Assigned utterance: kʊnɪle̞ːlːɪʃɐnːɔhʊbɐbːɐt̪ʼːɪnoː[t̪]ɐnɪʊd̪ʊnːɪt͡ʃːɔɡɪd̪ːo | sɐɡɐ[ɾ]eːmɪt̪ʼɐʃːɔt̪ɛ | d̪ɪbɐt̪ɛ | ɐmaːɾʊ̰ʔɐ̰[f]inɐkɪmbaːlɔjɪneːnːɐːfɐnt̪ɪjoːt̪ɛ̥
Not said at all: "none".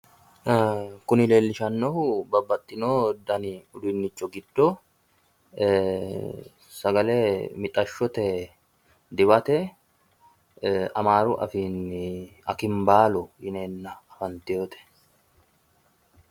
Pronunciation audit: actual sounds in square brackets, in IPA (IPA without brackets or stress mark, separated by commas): d̪, l, f